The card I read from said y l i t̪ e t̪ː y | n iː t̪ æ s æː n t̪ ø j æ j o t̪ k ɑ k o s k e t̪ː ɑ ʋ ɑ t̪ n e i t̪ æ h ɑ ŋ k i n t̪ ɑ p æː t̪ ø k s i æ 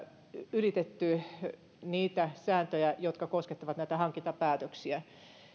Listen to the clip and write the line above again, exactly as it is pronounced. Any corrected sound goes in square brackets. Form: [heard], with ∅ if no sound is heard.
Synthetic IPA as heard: y l i t̪ e t̪ː y | n iː t̪ æ s æː n t̪ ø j æ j o t̪ k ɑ k o s k e t̪ː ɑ ʋ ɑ t̪ n [æ] i t̪ æ h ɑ ŋ k i n t̪ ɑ p æː t̪ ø k s i æ